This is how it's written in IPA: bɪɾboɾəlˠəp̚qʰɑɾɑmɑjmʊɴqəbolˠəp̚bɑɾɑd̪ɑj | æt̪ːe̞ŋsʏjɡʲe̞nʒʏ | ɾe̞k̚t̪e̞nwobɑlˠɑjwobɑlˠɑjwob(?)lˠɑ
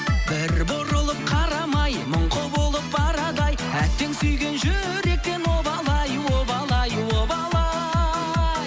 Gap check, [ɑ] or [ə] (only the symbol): ɑ